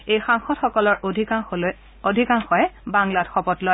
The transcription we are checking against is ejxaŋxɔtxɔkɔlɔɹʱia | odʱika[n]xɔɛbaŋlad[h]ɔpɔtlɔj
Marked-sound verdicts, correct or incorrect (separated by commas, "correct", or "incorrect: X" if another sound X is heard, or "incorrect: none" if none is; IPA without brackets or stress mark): incorrect: ŋ, incorrect: x